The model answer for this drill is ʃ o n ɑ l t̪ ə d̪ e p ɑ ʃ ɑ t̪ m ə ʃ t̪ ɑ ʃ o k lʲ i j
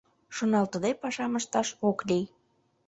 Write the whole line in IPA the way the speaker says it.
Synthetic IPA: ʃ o n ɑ l t̪ ə d̪ e p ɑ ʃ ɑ m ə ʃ t̪ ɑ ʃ o k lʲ i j